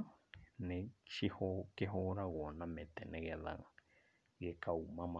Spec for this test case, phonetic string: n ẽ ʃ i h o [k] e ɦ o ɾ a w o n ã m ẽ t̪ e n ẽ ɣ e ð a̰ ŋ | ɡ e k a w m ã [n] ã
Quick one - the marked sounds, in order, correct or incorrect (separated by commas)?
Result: correct, incorrect